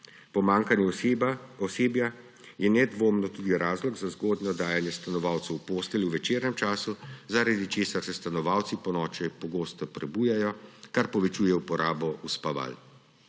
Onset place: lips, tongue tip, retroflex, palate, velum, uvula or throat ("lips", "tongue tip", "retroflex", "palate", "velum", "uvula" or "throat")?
lips